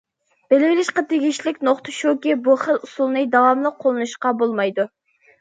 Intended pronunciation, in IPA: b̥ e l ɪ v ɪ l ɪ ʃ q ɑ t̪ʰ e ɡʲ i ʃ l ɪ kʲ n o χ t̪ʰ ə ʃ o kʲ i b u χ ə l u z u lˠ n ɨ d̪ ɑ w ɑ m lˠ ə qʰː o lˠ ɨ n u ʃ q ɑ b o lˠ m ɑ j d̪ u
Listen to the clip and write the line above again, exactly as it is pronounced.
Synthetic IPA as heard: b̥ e l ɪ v ɪ l ɪ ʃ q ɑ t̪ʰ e ɡʲ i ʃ l ɪ kʲ n o χ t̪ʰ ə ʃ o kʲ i b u χ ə l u s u lˠ n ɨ d̪ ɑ w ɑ m lˠ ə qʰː o lˠ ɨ n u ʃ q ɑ b o lˠ m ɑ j d̪ u